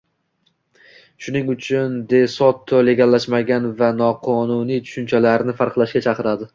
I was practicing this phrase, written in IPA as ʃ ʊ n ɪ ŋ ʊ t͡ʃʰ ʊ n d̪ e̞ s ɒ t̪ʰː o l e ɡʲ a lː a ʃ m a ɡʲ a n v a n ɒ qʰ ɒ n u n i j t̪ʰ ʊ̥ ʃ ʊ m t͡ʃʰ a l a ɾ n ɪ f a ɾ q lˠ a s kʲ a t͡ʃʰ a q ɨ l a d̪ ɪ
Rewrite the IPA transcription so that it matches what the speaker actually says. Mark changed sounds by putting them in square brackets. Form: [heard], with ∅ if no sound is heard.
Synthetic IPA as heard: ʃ ʊ n ɪ ŋ ʊ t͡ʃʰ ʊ n d̪ e̞ s ɒ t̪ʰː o l e ɡʲ a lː a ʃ m a ɡʲ a n v a n ɒ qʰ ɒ n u n i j t̪ʰ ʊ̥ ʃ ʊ [n] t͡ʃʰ a l a ɾ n ɪ f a ɾ q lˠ a [ʃ] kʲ a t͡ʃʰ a q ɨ [ɾ] a d̪ ɪ

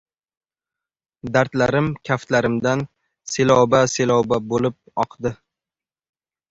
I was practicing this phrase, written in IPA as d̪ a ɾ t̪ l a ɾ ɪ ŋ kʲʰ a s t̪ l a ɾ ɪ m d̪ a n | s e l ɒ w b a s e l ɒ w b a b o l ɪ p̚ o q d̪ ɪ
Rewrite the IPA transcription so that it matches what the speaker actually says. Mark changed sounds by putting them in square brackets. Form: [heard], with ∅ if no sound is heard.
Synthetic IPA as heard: d̪ a ɾ t̪ l a ɾ ɪ [m] kʲʰ a [f] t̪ l a ɾ ɪ m d̪ a n | s e l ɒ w b a s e l ɒ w b a b o l ɪ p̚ [ɒ] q d̪ ɪ

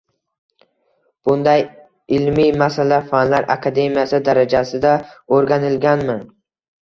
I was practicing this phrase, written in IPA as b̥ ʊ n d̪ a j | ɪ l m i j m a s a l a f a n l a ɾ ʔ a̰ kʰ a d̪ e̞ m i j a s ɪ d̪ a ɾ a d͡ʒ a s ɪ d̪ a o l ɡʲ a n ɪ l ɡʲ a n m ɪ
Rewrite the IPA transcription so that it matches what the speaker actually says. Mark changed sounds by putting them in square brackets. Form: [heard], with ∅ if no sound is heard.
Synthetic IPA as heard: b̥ ʊ n d̪ a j | ɪ l m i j m a s a l a f a n l a ɾ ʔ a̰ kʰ a d̪ e̞ m i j a s ɪ d̪ a ɾ a d͡ʒ a s ɪ d̪ a o [ɾ] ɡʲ a n ɪ l ɡʲ a n m ɪ

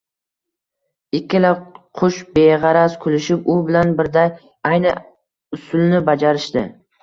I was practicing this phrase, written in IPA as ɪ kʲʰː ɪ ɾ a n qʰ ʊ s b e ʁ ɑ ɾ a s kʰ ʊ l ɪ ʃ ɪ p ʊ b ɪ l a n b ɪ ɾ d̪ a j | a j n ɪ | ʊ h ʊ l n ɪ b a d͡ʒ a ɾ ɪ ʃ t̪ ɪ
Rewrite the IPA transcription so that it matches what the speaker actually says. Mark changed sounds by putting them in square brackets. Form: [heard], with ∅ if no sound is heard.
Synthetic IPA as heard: ɪ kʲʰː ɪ [l] a [∅] qʰ ʊ [ʃ] b e ʁ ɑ ɾ a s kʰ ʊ l ɪ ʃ ɪ p ʊ b ɪ l a n b ɪ ɾ d̪ a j | a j n ɪ | ʊ [s] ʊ l n ɪ b a d͡ʒ a ɾ ɪ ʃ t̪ ɪ

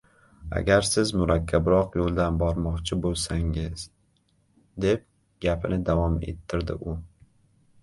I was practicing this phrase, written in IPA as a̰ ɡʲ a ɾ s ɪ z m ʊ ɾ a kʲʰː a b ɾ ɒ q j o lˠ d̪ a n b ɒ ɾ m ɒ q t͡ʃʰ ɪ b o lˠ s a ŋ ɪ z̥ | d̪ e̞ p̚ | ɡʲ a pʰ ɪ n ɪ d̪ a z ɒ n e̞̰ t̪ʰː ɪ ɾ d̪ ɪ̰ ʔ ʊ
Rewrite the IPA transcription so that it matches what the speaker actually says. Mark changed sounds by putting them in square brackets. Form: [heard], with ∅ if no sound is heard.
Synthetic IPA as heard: a̰ ɡʲ a ɾ s ɪ z m ʊ ɾ a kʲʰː a b ɾ ɒ q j o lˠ d̪ a n b ɒ ɾ m ɒ q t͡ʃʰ ɪ b o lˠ s a ŋ ɪ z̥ | d̪ e̞ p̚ | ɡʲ a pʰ ɪ n ɪ d̪ a [v] ɒ [m] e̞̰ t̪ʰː ɪ ɾ d̪ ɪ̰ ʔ ʊ

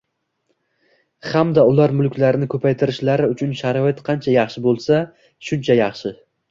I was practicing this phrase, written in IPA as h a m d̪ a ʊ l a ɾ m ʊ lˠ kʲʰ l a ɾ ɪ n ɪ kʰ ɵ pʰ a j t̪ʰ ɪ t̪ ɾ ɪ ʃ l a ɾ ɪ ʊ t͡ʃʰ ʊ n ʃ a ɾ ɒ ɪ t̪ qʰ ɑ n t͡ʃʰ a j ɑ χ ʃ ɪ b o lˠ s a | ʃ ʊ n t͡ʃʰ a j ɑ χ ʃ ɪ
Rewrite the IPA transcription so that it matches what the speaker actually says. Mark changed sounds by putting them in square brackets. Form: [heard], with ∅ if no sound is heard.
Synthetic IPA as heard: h a m d̪ a ʊ l a ɾ m ʊ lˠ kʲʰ l a ɾ ɪ n ɪ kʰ ɵ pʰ a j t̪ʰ ɪ [∅] ɾ ɪ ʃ l a ɾ ɪ ʊ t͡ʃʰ ʊ n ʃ a ɾ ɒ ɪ t̪ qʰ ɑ n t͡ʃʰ a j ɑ χ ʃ ɪ b o lˠ s a | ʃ ʊ n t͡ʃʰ a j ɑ χ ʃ ɪ

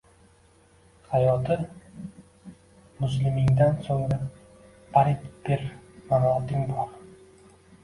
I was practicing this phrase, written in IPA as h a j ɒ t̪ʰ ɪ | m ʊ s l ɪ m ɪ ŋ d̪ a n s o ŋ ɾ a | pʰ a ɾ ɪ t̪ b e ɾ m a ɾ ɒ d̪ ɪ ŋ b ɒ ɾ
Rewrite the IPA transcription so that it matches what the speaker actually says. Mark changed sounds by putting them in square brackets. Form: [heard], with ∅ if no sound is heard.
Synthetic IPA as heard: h a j ɒ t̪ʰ ɪ | m ʊ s l ɪ m ɪ ŋ d̪ a n s o ŋ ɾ a | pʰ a ɾ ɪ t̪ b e ɾ m a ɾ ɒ [t̪] ɪ ŋ b ɒ ɾ

